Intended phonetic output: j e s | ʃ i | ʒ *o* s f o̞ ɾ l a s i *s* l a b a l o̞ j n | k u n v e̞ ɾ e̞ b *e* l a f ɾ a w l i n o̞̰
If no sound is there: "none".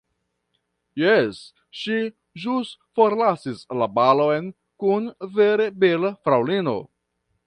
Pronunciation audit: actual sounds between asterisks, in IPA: u, s, e

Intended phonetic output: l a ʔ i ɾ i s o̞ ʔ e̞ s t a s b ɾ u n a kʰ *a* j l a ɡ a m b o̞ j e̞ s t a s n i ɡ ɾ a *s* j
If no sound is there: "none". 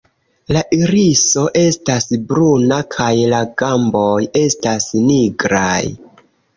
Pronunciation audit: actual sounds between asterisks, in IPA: a, none

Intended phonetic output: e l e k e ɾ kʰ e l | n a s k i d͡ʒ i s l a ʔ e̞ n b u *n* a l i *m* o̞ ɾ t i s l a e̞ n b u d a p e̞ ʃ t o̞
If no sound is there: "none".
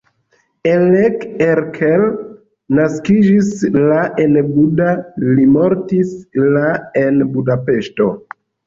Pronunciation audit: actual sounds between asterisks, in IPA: d, m

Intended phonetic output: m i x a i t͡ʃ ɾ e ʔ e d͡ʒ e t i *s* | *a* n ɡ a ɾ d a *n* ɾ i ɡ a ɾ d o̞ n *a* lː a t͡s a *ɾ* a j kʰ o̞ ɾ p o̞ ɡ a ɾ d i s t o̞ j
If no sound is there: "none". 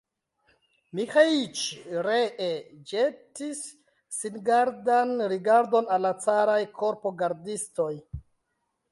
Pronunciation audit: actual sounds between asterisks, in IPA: sː, i, n, a, ɾ

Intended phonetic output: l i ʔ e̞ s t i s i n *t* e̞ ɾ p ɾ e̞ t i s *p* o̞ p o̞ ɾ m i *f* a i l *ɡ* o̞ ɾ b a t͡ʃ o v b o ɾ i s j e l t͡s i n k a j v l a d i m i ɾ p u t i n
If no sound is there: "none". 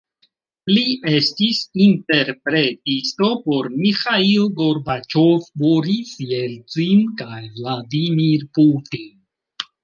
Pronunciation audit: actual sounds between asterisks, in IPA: t, t, x, ɡ

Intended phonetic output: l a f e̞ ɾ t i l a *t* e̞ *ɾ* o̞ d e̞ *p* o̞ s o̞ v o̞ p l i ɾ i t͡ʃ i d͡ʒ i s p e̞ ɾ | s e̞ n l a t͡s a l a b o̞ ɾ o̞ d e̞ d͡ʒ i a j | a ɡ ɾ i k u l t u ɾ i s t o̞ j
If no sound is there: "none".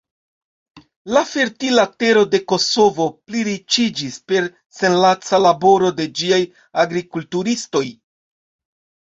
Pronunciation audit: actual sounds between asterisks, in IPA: t, ɾ, k

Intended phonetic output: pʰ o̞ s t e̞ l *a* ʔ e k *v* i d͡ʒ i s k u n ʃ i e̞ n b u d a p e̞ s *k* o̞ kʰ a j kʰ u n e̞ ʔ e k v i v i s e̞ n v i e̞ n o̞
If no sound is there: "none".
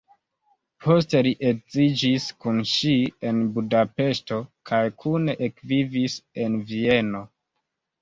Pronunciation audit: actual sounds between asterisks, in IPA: i, z, t

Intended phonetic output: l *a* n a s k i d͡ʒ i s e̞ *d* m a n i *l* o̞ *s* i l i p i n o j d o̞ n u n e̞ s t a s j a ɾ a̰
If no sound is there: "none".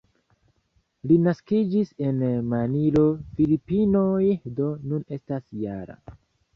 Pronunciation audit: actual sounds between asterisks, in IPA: i, n, l, f

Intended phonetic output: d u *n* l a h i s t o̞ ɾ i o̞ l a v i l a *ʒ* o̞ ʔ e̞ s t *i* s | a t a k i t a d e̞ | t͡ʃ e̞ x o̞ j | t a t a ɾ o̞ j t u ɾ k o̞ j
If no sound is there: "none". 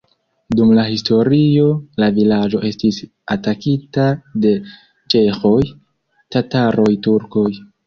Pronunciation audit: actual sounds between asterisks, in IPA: m, d͡ʒ, i

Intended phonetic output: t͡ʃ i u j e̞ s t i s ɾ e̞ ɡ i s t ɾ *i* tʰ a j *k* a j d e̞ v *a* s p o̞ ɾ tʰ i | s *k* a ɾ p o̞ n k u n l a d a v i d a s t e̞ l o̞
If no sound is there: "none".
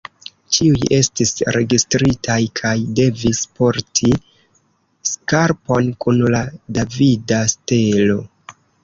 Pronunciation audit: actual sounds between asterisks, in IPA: i, kʰ, i, k

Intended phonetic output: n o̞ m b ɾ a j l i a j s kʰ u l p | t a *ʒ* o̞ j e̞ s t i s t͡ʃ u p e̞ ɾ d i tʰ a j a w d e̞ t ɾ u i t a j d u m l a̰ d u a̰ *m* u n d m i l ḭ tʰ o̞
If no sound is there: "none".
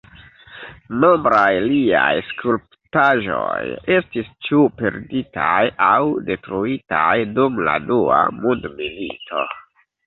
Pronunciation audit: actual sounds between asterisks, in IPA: ʒ, m

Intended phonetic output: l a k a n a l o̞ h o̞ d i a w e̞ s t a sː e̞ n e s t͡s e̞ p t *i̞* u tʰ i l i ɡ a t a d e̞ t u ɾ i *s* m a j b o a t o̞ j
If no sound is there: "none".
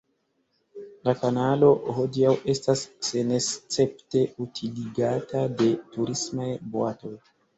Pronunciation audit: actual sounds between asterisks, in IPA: e̞, s

